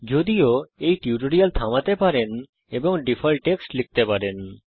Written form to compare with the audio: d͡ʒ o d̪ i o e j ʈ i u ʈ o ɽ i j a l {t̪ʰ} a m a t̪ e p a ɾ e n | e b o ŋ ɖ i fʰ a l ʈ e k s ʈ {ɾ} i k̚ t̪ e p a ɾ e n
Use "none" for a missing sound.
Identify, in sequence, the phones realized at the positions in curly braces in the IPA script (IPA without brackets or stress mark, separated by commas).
t̪ʰ, l